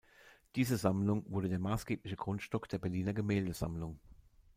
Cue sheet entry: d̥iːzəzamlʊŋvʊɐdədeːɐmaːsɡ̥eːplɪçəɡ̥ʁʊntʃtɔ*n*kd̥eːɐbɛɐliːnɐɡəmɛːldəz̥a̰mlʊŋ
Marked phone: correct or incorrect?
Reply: incorrect